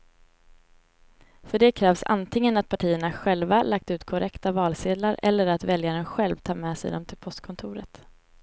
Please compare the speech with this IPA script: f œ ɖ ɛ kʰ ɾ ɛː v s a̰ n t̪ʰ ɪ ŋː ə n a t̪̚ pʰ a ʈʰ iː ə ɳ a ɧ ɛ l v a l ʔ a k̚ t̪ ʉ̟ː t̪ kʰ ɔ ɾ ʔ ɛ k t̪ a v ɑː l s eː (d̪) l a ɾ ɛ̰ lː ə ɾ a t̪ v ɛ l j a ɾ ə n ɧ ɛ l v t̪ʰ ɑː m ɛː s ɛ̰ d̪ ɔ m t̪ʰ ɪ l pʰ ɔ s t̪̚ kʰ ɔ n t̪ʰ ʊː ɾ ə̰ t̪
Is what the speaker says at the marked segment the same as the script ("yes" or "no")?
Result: yes